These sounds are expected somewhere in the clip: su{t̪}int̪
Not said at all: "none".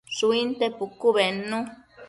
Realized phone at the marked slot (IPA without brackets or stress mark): none